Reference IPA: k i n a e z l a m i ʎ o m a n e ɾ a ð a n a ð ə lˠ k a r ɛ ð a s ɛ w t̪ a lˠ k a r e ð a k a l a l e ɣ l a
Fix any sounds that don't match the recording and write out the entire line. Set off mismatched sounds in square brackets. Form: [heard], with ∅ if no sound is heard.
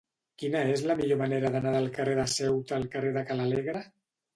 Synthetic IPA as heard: k i n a e z l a m i ʎ o m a n e ɾ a ð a n a ð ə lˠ k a r [e] ð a s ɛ w t̪ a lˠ k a r e ð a k a l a l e ɣ [ɾ] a

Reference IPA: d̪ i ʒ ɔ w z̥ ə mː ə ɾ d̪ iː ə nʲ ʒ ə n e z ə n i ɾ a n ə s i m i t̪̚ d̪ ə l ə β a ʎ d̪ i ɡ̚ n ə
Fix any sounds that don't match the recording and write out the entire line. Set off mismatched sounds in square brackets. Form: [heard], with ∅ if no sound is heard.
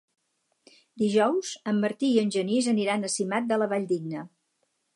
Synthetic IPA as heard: d̪ i ʒ ɔ w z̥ ə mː ə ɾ [t̪] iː ə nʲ ʒ ə n [i] z ə n i ɾ a n ə s i m [a] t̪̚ d̪ ə l ə β a ʎ d̪ i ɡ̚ n ə

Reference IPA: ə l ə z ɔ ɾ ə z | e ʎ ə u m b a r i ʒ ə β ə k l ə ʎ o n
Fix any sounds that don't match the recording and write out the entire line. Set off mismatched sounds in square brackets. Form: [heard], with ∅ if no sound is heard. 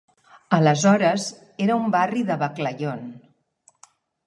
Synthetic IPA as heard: ə l ə z ɔ ɾ ə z | e [ɾ] ə u m b a r i [ð] ə β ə k l ə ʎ o n

